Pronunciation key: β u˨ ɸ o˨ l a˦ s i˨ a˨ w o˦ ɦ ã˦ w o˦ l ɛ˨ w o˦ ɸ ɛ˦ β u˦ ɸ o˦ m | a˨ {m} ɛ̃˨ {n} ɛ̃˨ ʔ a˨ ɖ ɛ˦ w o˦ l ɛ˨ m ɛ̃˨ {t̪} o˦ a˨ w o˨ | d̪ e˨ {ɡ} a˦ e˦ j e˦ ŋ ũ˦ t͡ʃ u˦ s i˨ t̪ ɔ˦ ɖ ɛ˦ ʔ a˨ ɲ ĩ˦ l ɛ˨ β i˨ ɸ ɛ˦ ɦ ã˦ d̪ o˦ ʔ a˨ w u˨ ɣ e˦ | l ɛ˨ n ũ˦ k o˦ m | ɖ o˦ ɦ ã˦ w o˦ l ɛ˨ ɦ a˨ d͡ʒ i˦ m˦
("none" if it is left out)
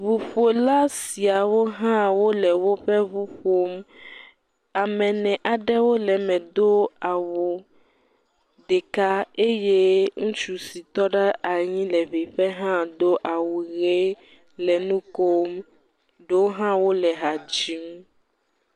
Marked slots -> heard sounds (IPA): m, n, d̪, k

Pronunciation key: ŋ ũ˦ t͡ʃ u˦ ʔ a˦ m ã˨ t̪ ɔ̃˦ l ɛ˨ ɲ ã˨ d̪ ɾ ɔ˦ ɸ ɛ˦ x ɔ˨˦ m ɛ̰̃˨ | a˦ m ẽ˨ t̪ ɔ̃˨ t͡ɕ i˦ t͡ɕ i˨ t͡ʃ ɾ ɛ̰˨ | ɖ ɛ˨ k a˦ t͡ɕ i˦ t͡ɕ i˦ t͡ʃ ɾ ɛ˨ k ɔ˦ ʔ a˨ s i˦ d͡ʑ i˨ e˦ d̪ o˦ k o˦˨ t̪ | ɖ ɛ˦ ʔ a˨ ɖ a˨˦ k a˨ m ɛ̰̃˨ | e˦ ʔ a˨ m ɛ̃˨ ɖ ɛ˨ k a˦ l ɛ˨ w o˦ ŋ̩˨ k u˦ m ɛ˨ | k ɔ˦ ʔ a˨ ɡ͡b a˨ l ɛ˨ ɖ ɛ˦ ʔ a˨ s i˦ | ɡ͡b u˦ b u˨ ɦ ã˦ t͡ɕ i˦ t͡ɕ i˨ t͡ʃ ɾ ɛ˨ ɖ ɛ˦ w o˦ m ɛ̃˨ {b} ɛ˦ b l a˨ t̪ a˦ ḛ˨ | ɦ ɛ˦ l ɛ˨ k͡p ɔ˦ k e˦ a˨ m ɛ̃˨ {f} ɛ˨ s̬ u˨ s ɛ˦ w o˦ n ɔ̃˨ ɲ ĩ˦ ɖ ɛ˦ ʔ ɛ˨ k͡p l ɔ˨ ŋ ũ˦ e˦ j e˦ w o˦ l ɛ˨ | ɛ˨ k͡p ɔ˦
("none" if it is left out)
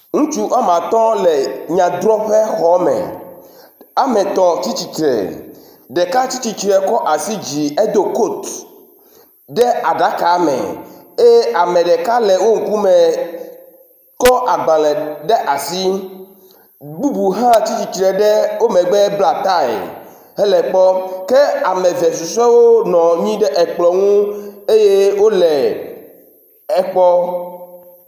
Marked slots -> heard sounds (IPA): ɡ͡b, v

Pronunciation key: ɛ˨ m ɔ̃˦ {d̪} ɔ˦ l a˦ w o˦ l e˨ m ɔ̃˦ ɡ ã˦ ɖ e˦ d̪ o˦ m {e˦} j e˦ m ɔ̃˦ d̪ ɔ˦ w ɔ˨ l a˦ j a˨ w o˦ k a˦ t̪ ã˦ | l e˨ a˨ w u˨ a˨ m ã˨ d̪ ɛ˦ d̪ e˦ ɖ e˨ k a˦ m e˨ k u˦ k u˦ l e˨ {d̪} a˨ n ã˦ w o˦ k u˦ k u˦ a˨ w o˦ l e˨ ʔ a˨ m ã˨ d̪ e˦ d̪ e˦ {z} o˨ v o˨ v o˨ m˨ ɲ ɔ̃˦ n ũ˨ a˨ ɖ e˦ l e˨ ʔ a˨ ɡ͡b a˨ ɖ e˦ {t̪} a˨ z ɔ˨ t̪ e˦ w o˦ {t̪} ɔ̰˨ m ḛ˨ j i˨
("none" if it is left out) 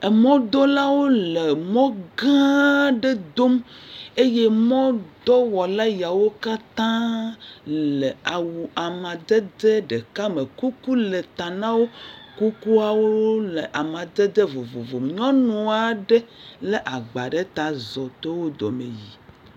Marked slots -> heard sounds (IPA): d̪, e˦, t̪, v, t̪, d̪

